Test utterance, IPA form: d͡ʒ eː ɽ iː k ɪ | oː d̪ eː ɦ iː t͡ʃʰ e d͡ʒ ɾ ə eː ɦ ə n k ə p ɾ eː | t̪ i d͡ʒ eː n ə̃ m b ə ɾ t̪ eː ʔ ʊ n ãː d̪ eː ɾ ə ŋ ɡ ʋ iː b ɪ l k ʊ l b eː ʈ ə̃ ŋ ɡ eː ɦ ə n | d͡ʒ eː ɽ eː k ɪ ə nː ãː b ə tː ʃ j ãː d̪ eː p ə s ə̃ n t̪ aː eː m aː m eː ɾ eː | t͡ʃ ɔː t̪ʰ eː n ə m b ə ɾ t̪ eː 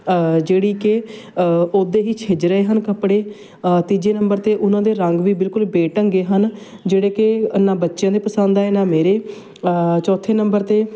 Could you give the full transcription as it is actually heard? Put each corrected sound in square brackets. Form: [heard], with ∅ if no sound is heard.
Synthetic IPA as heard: d͡ʒ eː ɽ iː k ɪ | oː d̪ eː ɦ iː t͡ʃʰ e d͡ʒ ɾ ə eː ɦ ə n k ə p [ɽ] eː | t̪ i d͡ʒ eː n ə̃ m b ə ɾ t̪ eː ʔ ʊ n ãː d̪ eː ɾ ə ŋ ɡ ʋ iː b ɪ l k ʊ l b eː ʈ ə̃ ŋ ɡ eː ɦ ə n | d͡ʒ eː ɽ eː k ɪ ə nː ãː b ə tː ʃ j ãː d̪ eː p ə s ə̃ n [d̪] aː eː [n] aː m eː ɾ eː | t͡ʃ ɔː t̪ʰ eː n ə m b ə ɾ t̪ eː